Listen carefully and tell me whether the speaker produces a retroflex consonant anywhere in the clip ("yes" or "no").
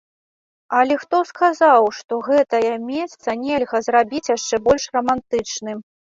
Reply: yes